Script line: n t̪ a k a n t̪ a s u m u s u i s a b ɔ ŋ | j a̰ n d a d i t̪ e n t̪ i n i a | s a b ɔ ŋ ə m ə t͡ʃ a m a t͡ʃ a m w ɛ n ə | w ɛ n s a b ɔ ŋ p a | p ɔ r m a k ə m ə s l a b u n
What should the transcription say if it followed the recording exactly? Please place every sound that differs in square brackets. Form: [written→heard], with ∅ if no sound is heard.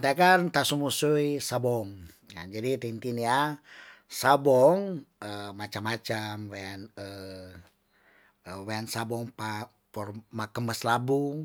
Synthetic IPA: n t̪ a k a n t̪ a s u m u s u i s a b ɔ ŋ | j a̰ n [d→d͡ʒ] a d i t̪ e n t̪ i n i a | s a b ɔ ŋ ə m [ə→a] t͡ʃ a m a t͡ʃ a m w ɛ n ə | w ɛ n s a b ɔ ŋ p a | p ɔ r m a k ə m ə s l a b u [n→ŋ]